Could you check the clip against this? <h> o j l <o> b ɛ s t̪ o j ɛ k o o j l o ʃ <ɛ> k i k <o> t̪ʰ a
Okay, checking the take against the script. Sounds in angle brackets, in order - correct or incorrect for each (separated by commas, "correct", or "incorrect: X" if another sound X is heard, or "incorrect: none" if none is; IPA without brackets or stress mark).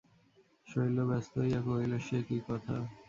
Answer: incorrect: ʃ, correct, incorrect: e, incorrect: ɔ